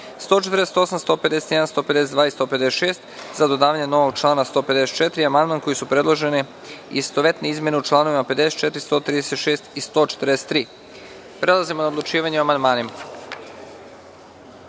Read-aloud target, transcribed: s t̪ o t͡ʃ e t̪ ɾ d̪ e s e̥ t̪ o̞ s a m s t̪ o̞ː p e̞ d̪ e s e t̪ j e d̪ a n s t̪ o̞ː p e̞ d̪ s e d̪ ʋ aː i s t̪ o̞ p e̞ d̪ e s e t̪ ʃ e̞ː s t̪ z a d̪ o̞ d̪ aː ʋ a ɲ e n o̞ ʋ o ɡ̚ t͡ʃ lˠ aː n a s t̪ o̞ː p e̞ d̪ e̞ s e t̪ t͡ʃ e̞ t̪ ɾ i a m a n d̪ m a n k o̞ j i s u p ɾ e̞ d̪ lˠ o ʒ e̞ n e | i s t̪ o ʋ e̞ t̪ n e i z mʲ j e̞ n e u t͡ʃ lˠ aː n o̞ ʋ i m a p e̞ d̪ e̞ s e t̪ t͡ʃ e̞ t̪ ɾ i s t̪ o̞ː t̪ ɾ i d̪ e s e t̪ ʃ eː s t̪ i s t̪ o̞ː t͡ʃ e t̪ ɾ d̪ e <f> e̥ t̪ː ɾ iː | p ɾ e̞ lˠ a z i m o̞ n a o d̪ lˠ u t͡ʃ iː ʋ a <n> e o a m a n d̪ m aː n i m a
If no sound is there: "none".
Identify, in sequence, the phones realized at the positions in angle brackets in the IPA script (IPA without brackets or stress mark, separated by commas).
s, ɲ